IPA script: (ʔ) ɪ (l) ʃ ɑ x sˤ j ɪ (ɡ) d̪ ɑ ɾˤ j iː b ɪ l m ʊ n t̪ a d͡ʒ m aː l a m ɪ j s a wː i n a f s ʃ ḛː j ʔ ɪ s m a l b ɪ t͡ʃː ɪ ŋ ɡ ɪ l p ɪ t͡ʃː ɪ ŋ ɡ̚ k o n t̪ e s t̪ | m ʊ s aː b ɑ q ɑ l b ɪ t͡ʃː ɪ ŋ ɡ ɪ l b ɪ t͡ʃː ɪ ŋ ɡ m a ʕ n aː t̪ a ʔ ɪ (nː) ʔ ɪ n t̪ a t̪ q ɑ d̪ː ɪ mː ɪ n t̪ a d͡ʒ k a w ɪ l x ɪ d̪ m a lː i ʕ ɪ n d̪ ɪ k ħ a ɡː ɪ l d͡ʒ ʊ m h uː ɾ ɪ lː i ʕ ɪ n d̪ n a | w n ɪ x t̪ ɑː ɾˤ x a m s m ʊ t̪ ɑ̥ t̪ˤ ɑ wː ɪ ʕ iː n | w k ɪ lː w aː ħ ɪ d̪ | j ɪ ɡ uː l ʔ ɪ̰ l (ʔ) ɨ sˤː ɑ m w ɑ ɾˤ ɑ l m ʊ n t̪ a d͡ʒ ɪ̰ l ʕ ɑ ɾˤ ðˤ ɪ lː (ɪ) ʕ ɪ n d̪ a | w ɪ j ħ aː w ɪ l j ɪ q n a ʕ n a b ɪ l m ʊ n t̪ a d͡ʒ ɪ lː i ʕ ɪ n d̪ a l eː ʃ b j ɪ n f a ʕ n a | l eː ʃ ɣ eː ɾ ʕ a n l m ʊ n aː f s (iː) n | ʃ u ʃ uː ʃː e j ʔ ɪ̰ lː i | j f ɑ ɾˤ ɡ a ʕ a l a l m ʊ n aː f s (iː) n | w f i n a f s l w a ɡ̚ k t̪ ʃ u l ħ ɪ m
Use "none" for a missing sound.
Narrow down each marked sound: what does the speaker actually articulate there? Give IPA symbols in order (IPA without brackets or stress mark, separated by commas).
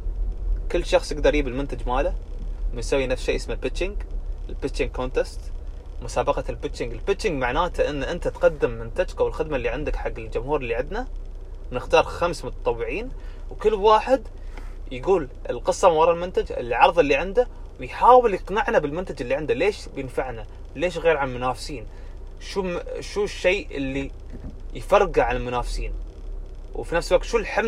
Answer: k, lː, ɡ, nː, q, i, iː, iː